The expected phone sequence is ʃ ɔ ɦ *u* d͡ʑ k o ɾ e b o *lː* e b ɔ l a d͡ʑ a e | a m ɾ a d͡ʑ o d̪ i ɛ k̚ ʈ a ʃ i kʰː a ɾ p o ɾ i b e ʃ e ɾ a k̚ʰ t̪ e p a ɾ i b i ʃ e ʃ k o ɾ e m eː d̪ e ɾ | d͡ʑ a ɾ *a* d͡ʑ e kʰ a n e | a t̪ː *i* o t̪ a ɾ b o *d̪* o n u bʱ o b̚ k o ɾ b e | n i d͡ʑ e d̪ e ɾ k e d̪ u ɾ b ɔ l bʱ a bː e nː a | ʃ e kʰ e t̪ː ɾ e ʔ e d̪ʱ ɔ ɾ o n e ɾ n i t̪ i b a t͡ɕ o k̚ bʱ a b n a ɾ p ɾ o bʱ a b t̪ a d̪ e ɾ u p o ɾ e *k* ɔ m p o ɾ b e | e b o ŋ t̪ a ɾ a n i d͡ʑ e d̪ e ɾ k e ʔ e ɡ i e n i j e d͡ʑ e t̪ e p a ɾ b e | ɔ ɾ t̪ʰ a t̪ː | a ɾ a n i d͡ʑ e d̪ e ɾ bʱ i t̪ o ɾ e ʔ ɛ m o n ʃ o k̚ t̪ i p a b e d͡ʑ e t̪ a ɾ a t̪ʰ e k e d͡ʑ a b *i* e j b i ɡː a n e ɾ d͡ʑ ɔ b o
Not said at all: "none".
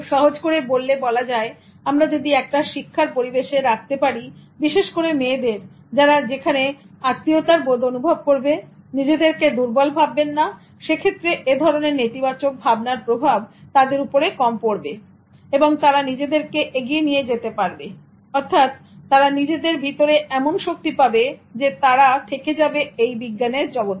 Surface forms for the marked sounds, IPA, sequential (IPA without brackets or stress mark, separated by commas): o, lː, a, i, d̪, k, e